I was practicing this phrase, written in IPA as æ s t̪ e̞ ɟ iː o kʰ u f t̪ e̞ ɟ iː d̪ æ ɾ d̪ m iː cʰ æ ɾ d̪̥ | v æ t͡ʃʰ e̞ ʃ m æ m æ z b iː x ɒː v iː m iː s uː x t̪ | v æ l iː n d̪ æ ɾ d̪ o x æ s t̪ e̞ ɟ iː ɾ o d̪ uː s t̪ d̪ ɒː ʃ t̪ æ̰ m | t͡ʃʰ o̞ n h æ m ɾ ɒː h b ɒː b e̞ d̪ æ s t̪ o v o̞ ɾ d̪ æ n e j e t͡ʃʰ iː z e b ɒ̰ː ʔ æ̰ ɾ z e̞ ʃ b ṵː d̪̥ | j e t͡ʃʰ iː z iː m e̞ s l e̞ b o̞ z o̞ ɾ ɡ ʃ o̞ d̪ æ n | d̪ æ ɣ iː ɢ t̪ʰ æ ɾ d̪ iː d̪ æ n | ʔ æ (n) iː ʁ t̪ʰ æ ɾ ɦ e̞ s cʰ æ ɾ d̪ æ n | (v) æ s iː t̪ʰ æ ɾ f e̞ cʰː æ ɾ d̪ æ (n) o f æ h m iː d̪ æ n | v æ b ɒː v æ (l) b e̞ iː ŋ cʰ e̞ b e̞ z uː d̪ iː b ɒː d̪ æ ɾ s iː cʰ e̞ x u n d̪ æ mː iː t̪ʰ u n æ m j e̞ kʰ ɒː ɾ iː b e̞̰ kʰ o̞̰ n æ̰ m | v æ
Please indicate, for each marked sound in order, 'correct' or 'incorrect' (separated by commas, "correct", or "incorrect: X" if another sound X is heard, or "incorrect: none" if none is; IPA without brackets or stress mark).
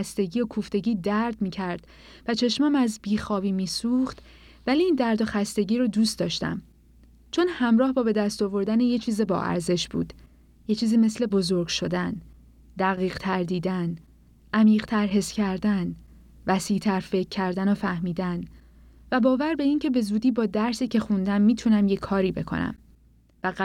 incorrect: m, correct, correct, incorrect: ɾ